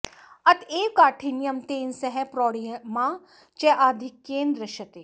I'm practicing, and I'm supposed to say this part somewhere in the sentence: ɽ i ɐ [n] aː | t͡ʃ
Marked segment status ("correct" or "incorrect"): incorrect